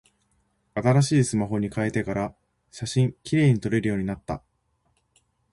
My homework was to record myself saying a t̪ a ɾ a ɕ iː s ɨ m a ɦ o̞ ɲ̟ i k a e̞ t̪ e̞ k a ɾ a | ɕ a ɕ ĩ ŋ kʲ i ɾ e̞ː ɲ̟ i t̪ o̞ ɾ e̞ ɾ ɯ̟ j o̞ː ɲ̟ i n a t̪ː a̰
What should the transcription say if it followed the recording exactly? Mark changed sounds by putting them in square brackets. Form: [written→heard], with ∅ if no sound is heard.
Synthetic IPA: a t̪ a ɾ a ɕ iː s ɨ m a ɦ o̞ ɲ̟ i k a e̞ t̪ e̞ k a ɾ a | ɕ a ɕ ĩ ŋ kʲ i ɾ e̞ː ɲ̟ i t̪ o̞ ɾ e̞ ɾ ɯ̟ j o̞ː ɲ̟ i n a t̪ː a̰